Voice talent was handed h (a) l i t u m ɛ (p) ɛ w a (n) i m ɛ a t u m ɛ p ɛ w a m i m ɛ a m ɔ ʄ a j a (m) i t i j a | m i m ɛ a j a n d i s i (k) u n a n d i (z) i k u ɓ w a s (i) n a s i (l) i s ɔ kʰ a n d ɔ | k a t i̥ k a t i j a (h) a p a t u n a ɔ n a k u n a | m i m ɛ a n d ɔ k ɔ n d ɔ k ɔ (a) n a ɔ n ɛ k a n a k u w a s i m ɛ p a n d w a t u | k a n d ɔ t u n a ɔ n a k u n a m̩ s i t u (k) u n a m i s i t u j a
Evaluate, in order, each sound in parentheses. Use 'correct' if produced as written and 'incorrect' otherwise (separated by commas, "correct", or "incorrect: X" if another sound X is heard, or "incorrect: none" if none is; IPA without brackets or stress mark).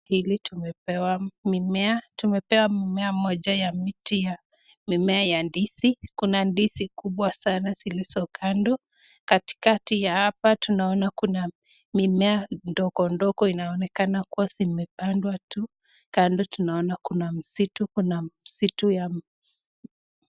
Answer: incorrect: i, correct, incorrect: m, correct, correct, incorrect: s, incorrect: a, correct, correct, incorrect: i, correct